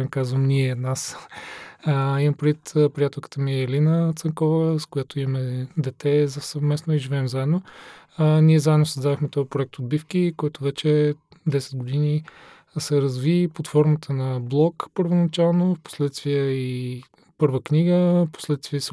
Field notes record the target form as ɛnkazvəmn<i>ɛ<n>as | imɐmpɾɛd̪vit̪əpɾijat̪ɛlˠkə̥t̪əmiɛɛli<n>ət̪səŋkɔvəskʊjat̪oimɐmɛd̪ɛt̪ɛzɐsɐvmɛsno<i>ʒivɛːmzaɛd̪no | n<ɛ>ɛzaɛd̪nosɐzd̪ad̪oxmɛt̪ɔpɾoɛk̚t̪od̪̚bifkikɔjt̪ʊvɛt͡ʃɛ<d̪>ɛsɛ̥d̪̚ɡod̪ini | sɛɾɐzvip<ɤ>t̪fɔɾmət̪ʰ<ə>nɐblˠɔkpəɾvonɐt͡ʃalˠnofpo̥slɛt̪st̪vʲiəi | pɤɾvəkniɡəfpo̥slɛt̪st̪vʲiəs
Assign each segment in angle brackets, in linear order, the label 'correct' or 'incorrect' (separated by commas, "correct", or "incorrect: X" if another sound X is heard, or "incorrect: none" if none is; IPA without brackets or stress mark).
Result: correct, correct, correct, correct, incorrect: i, correct, incorrect: o, correct